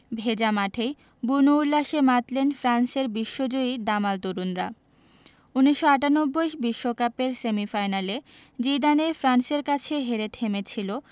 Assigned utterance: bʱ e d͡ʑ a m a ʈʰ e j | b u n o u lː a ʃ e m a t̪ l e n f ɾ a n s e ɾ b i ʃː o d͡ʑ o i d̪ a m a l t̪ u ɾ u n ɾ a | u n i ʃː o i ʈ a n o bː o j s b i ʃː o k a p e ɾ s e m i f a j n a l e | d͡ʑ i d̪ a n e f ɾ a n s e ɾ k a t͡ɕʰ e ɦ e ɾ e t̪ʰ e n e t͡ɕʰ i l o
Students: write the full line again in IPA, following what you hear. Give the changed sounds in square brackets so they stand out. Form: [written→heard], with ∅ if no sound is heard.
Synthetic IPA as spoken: bʱ e d͡ʑ a m a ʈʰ e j | b u n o u lː a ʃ e m a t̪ l e n f ɾ a n s e ɾ b i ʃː o d͡ʑ o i d̪ a m a l t̪ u ɾ u n ɾ a | u n i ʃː o [i→a] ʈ a n o bː o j [s→ʃ] b i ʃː o k a p e ɾ s e m i f a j n a l e | d͡ʑ i d̪ a n e f ɾ a n s e ɾ k a t͡ɕʰ e ɦ e ɾ e t̪ʰ e [n→m] e t͡ɕʰ i l o